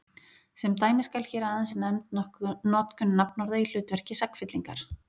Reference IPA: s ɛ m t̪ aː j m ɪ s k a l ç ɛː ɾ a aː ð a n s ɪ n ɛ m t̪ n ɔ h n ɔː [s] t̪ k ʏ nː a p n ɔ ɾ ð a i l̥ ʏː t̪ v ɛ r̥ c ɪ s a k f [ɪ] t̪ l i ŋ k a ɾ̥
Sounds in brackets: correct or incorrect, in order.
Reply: incorrect, correct

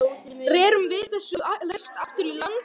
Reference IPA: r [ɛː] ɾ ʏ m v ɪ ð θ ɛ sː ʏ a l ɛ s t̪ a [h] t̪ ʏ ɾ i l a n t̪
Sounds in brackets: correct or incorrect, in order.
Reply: correct, incorrect

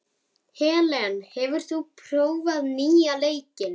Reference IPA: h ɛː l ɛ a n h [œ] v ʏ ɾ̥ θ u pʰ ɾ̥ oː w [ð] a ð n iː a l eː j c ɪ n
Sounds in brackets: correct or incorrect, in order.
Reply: incorrect, incorrect

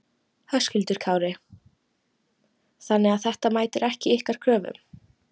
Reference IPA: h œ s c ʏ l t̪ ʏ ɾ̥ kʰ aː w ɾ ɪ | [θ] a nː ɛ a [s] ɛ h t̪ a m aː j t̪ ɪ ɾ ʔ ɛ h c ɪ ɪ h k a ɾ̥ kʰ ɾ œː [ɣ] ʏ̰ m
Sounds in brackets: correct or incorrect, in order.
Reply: correct, incorrect, incorrect

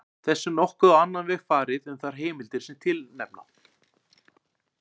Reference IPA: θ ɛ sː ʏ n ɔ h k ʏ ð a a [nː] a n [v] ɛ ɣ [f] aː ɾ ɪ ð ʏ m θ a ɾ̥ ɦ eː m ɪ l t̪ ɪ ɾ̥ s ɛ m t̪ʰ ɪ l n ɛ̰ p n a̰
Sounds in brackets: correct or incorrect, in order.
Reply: correct, correct, correct

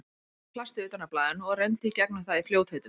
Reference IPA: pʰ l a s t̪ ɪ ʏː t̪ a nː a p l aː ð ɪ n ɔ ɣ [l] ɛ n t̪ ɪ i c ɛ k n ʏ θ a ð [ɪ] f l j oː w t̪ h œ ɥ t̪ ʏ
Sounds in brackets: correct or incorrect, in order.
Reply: incorrect, incorrect

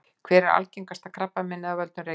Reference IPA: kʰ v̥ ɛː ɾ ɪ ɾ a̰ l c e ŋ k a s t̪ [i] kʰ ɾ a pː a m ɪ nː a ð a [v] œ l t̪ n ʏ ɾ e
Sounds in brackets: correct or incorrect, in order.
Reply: incorrect, correct

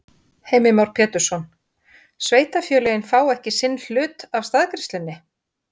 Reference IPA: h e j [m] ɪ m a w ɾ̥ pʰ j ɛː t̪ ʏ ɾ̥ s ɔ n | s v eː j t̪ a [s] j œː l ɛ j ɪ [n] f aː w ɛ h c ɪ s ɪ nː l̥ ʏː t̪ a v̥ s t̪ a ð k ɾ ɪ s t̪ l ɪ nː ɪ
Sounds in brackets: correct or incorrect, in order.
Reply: correct, incorrect, correct

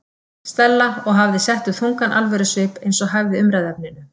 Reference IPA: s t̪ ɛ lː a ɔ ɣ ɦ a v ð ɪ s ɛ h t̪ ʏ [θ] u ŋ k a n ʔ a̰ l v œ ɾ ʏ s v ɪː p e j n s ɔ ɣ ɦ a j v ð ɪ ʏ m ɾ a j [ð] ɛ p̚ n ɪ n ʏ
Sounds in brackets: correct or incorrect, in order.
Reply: correct, correct

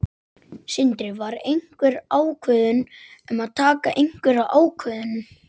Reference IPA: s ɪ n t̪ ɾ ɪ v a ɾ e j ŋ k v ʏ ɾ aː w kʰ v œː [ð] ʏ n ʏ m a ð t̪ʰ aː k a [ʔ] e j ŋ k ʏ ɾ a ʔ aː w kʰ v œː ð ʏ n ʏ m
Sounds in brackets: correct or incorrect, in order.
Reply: correct, correct

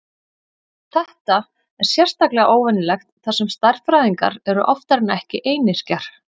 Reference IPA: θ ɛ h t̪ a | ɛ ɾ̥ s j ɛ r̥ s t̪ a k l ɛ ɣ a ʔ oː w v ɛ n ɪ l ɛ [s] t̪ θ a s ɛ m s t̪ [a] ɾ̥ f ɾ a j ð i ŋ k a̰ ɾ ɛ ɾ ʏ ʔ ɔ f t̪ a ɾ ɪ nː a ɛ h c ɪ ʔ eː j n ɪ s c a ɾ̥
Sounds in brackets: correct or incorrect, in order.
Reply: incorrect, correct

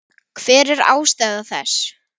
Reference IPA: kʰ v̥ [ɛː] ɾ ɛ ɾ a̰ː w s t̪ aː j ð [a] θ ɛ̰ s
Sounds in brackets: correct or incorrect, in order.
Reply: correct, correct

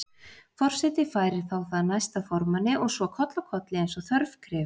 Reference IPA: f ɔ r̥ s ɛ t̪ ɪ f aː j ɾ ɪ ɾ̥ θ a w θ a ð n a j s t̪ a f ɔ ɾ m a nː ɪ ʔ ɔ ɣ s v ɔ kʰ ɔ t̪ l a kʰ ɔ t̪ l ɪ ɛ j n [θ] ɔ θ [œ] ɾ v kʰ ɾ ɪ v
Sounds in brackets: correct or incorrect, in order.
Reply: incorrect, correct

